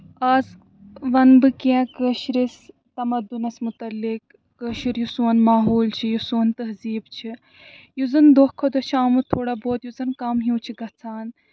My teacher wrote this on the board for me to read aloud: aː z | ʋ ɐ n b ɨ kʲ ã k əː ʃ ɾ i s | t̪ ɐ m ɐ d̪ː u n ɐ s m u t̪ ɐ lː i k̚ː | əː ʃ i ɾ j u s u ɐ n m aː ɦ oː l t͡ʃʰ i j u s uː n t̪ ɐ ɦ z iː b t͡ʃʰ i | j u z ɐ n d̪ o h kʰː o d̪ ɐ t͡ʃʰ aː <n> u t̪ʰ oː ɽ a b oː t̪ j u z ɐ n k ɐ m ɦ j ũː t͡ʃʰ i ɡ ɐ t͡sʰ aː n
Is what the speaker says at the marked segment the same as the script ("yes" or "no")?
no